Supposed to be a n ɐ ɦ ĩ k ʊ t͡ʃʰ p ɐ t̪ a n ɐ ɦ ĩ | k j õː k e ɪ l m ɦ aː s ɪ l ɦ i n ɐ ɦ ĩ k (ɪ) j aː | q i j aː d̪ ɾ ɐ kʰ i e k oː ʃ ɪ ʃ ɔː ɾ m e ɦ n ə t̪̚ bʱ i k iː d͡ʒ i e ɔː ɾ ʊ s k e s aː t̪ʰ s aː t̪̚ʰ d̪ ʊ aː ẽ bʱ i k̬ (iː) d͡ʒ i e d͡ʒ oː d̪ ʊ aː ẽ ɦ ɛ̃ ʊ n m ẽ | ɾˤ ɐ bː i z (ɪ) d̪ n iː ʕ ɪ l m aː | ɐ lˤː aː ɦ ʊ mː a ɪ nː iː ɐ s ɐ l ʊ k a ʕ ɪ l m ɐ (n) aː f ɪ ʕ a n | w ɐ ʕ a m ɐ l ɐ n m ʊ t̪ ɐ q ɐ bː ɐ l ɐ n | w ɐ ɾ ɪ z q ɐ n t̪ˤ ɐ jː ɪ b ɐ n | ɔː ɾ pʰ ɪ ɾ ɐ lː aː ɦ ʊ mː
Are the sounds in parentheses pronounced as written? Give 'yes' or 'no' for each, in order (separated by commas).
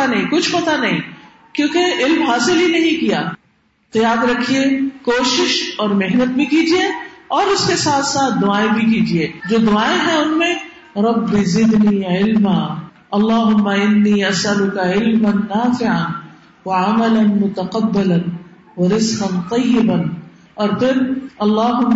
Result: no, yes, yes, no